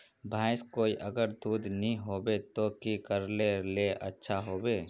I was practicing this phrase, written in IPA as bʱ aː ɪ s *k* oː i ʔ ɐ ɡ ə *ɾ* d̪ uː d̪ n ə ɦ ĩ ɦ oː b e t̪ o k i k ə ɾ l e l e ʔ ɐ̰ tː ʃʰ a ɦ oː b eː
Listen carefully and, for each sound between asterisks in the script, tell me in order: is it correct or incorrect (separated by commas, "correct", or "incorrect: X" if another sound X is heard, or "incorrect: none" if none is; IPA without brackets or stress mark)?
correct, correct